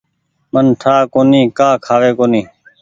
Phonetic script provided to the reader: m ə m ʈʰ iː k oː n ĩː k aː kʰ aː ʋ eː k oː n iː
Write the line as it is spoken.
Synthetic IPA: m ə n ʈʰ aː k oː n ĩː k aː kʰ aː ʋ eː k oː n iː